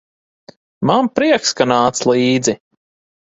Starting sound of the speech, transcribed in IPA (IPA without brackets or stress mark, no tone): m